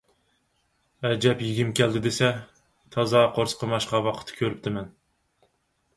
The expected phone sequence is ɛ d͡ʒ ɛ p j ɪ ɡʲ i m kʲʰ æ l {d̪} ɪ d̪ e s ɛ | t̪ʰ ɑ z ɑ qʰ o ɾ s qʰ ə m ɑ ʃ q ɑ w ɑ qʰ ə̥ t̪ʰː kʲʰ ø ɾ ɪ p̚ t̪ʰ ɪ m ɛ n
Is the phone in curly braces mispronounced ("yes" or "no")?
no